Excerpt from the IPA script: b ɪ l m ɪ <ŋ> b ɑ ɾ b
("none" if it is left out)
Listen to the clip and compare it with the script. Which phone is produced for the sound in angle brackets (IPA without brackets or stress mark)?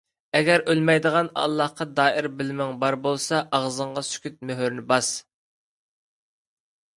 ŋ